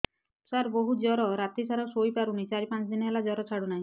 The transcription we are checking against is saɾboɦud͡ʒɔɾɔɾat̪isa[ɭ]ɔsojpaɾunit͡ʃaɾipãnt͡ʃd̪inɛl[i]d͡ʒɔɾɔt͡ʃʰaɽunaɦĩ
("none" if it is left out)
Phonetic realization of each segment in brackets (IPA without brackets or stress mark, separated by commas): ɾ, a